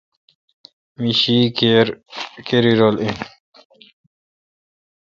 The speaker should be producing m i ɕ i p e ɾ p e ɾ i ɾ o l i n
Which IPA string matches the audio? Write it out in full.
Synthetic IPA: m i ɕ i k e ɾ k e ɾ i ɾ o l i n